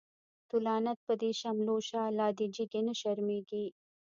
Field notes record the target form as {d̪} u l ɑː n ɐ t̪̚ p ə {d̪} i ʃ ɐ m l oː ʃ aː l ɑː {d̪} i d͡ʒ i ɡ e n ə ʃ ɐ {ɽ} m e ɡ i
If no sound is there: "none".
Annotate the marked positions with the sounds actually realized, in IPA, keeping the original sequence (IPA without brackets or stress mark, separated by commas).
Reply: t̪, d̪, d̪, ɾ